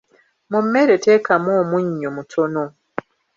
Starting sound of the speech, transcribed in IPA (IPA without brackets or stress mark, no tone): m